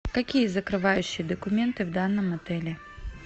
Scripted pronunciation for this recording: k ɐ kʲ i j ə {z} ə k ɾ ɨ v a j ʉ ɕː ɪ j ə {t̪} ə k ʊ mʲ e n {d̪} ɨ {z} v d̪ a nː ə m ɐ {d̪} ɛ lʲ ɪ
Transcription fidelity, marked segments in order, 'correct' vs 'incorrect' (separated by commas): correct, incorrect, incorrect, incorrect, incorrect